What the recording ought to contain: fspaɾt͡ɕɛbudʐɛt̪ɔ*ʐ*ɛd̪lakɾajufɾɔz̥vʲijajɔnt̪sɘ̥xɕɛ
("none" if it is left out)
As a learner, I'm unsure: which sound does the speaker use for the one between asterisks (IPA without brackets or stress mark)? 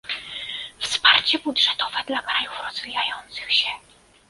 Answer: v